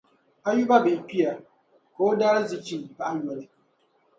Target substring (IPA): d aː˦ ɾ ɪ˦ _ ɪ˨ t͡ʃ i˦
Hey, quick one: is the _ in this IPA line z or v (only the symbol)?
z